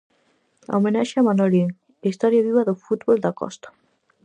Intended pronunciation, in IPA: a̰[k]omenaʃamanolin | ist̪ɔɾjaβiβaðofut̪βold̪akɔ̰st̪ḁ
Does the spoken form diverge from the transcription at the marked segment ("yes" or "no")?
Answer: yes